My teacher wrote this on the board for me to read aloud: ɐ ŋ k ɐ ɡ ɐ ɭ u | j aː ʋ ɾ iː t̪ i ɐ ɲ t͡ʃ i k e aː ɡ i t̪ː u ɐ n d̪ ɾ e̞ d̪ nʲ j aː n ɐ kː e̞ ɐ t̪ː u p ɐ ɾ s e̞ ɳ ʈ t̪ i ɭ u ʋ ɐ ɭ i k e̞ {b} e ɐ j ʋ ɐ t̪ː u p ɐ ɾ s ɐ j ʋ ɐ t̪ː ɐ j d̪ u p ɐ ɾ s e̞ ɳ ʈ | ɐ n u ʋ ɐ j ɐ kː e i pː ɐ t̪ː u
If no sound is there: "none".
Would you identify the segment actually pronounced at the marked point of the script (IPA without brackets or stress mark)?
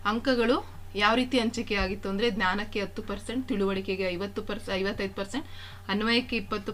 ɡ